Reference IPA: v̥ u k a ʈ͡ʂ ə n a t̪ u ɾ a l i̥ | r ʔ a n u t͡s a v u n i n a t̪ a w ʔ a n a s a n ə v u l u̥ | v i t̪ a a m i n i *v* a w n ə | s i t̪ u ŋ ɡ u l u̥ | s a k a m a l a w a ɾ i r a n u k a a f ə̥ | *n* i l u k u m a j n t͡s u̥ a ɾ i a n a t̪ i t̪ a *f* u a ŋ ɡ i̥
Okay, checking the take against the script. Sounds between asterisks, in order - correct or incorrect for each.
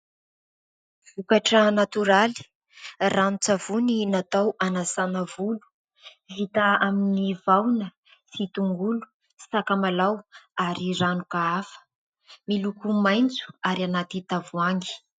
correct, incorrect: m, incorrect: v

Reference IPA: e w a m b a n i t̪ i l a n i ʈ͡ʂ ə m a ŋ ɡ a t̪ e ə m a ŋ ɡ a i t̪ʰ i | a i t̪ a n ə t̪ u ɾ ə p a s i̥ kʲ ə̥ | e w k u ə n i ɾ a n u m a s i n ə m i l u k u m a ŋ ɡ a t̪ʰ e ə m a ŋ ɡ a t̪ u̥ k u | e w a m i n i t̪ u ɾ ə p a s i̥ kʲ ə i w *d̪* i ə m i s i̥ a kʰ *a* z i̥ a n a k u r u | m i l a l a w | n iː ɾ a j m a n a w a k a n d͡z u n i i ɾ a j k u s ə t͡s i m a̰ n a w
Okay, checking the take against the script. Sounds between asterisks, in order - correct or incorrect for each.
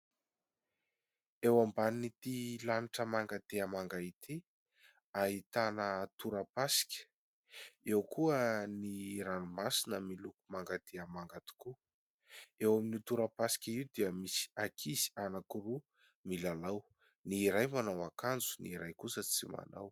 correct, incorrect: i

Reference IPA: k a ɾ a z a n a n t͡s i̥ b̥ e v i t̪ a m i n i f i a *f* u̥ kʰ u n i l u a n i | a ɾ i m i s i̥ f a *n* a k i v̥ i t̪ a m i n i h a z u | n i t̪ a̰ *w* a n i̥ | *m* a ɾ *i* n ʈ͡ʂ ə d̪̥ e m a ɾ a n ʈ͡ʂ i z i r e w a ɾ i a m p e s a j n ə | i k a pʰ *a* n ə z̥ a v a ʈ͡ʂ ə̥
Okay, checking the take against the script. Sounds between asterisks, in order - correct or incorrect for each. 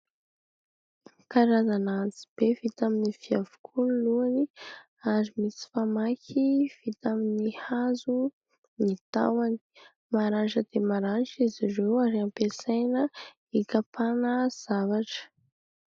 incorrect: v, incorrect: m, correct, correct, incorrect: a, correct

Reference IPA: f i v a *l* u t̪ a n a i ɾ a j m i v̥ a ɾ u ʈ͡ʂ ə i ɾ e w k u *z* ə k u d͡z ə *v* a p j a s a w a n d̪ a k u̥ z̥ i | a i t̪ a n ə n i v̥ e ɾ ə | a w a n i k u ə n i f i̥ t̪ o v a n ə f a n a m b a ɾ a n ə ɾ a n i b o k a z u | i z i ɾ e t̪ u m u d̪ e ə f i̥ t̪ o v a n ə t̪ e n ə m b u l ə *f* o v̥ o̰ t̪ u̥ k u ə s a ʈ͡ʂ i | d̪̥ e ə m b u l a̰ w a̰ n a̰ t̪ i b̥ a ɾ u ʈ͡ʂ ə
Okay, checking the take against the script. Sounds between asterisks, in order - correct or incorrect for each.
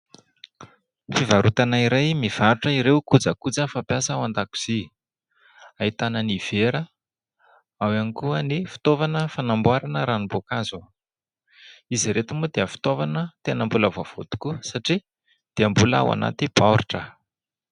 incorrect: ɾ, incorrect: d͡z, incorrect: f, incorrect: v

